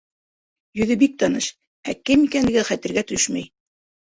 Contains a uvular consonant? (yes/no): yes